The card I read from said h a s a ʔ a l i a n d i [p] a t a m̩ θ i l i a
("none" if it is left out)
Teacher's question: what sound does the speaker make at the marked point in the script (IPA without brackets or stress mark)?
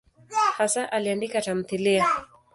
k